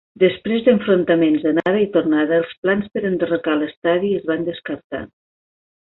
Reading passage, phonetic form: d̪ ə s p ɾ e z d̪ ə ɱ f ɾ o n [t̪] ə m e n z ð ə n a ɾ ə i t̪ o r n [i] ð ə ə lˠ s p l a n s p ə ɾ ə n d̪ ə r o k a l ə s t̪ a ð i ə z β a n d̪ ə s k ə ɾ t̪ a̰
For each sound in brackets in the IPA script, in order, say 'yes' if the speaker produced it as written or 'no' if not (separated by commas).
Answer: yes, no